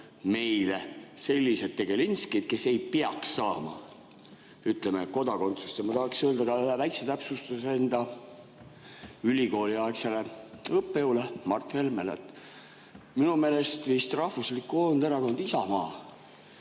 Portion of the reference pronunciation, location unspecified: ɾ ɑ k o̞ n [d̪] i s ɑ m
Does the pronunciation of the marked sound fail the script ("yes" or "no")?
no